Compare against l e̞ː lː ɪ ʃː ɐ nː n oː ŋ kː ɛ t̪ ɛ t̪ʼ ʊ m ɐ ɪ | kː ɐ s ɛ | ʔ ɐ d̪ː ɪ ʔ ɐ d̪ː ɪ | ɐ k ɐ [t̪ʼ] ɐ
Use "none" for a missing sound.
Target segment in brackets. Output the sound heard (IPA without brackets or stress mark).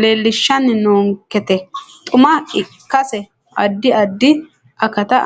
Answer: t̪